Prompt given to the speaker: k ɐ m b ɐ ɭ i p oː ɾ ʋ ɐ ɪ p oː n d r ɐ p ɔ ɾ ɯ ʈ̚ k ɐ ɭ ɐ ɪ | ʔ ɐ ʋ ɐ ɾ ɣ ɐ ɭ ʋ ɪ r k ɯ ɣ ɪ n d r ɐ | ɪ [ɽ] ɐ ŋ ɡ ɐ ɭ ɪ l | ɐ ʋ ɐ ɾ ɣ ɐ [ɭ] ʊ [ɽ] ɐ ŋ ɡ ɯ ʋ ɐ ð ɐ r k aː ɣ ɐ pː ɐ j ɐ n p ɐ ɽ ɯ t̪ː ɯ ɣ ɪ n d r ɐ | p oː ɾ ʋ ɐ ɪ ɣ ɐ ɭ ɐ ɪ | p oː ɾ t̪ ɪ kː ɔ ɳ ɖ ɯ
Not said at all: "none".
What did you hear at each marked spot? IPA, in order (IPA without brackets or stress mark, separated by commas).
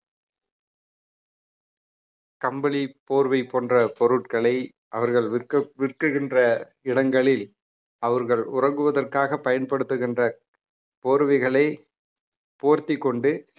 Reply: ɽ, ɭ, r